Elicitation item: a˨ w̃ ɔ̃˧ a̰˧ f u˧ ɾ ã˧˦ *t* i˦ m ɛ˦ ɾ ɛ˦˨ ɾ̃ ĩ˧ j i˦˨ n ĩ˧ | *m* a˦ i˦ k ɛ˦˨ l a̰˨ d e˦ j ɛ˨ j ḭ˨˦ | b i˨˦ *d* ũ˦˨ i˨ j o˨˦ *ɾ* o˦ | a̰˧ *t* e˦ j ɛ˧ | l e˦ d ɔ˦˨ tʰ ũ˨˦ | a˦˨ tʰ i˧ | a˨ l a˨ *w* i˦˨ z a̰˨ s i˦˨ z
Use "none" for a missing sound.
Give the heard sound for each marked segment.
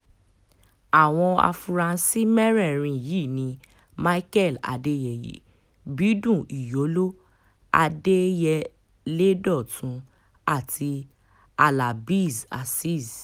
s, m, d, l, d, b

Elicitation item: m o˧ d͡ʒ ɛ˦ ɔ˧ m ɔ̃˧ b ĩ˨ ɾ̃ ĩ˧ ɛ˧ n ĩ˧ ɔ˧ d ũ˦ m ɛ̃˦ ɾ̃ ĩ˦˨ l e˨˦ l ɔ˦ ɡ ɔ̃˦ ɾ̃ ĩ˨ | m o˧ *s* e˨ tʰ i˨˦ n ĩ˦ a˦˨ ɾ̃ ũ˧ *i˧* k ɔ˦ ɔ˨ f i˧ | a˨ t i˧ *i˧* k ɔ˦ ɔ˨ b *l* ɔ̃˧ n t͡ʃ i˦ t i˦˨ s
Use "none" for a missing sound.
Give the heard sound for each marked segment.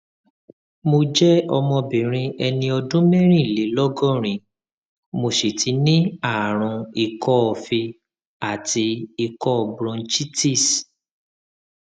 ʃ, i˧, i˧, ɾ

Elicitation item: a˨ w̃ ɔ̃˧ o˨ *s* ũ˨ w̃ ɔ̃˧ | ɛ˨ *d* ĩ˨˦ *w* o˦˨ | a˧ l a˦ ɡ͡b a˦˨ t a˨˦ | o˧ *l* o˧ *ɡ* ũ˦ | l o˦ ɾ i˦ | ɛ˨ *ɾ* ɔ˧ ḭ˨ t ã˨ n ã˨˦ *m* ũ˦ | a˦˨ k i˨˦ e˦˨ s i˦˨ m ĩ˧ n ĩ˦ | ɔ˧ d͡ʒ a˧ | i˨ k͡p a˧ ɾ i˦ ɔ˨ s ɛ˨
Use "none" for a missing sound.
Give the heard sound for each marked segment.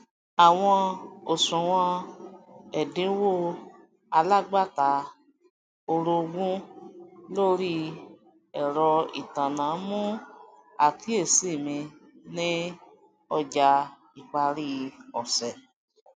s, d, w, ɾ, ɡ, ɾ, m

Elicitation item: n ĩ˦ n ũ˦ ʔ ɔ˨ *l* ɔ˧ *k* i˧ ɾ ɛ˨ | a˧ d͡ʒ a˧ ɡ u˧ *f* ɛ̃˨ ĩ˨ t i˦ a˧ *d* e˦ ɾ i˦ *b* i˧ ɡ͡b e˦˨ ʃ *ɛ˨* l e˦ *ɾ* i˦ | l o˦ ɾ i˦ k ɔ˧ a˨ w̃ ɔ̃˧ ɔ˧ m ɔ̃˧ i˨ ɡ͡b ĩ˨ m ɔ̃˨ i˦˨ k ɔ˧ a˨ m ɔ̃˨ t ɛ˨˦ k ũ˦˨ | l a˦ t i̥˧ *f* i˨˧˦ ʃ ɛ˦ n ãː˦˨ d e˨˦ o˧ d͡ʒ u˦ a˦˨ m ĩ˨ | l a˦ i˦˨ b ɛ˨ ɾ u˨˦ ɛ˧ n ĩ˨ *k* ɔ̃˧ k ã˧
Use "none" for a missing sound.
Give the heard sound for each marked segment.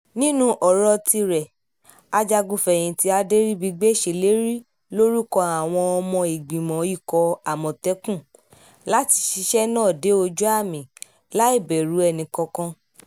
ɾ, t, f, d, b, e˨, ɾ, ʃ, k

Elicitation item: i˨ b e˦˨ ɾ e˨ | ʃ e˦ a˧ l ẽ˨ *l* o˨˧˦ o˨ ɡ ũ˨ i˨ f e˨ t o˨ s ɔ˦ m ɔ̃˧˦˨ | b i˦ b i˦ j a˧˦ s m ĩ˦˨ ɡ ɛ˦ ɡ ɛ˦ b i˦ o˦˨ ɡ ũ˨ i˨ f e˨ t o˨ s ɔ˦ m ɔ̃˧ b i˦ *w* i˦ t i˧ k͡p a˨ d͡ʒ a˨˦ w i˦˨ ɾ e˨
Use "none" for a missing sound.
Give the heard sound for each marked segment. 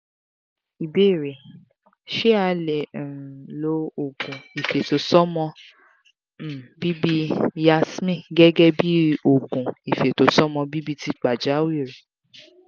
l, b

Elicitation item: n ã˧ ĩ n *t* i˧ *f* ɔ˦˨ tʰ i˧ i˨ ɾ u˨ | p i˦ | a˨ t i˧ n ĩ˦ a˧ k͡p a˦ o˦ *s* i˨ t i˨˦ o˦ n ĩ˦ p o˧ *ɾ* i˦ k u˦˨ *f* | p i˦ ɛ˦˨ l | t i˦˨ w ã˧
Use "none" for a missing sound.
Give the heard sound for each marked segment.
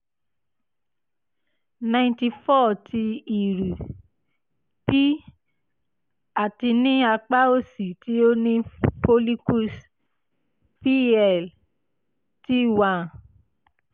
t, f, s, l, s

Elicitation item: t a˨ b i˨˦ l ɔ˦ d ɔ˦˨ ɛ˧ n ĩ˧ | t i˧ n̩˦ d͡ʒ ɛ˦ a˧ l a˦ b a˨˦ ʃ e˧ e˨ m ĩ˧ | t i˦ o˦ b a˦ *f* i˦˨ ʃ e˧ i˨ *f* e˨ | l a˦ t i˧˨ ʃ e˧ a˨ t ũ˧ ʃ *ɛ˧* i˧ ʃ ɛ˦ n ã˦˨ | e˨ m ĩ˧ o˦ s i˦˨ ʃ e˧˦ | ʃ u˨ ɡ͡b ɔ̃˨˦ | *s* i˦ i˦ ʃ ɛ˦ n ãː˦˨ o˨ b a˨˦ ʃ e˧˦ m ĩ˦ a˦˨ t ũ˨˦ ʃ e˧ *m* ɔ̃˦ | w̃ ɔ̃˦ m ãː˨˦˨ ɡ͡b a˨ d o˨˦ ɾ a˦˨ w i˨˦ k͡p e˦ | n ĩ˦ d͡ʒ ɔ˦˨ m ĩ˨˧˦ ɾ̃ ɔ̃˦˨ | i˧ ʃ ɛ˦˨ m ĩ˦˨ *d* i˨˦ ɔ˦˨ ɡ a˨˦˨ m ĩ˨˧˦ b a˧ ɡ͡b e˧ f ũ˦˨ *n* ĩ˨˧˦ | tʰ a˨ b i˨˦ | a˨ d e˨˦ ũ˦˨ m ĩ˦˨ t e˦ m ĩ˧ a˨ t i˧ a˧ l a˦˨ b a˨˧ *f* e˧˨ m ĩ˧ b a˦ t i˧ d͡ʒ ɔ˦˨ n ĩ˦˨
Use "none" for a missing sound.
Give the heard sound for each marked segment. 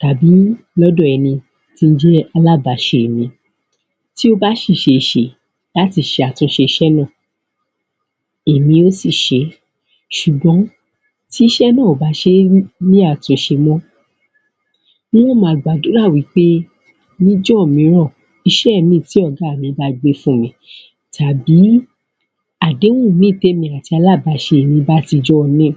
ʃ, ʃ, e˧, t, m, t, m, ʃ

